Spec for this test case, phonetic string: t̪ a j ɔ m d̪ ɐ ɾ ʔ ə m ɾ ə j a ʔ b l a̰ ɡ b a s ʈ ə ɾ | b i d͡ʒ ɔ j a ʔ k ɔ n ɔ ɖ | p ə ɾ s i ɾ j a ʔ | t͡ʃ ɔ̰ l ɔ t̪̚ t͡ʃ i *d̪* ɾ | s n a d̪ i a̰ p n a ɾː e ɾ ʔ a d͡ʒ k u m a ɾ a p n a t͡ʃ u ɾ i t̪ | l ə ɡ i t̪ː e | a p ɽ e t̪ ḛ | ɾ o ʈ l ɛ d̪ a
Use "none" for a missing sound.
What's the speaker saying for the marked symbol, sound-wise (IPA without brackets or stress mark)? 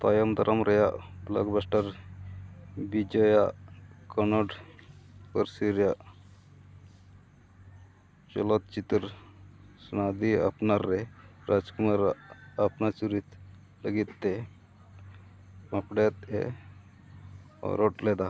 t̪